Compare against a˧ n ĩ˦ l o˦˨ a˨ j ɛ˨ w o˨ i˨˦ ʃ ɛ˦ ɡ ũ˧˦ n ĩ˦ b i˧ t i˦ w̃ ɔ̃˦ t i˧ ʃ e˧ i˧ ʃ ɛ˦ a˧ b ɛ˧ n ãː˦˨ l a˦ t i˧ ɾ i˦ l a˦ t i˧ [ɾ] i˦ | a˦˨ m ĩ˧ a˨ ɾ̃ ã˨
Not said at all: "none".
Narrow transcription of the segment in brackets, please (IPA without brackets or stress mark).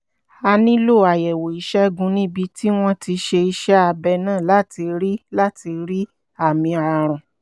ɾ